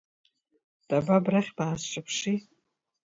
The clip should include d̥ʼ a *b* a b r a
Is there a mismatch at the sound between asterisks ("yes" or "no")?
no